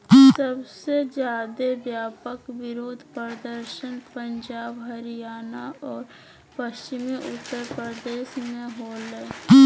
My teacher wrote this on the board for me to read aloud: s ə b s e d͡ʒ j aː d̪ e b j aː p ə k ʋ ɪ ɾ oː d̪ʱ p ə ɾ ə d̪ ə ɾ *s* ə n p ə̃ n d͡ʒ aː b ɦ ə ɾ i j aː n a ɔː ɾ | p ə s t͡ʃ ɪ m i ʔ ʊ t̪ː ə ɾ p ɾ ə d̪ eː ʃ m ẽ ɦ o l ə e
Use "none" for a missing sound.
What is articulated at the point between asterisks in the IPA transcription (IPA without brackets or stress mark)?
ʃ